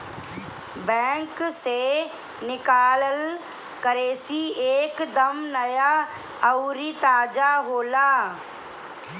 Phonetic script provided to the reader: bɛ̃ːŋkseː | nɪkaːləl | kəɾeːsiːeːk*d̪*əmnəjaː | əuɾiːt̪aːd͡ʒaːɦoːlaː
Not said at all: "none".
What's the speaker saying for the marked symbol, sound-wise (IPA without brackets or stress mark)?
d̪